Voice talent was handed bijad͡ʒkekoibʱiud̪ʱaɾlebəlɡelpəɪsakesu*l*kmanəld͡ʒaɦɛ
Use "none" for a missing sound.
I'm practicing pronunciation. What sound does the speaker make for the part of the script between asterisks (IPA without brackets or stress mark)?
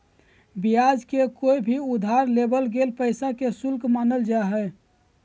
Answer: l